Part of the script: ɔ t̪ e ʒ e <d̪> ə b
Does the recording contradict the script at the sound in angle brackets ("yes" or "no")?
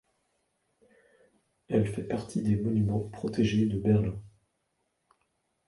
no